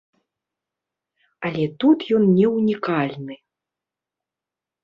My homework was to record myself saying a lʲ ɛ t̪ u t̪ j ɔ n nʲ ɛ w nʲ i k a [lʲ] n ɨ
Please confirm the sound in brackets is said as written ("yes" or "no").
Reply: yes